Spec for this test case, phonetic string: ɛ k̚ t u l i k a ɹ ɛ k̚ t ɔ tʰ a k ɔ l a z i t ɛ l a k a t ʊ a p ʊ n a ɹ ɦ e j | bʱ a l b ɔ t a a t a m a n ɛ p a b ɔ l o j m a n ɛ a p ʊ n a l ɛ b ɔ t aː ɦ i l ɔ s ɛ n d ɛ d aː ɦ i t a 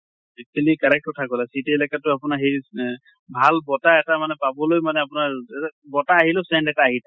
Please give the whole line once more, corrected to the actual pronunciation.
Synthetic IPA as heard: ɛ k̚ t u l i k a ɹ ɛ k̚ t ɔ tʰ a k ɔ l a s i t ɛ l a k a t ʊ a p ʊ n a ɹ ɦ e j | bʱ a l b ɔ t a ɛ t a m a n ɛ p a b ɔ l o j m a n ɛ a p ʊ n a ɹ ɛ b ɔ t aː ɦ i l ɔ s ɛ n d ɛ t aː ɦ i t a